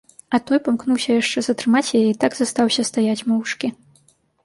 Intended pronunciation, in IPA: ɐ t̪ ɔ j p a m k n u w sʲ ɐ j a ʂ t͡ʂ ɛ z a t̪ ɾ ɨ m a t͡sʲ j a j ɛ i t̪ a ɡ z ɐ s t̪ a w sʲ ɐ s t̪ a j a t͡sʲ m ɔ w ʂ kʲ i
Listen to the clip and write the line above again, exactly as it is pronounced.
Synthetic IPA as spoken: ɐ t̪ ɔ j p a m k n u w sʲ ɐ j a ʂ t͡ʂ ɛ z ɐ t̪ ɾ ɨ m a t͡sʲ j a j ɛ i t̪ a ɡ z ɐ s t̪ a w sʲ ɐ s t̪ a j a t͡sʲ m ɔ w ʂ kʲ i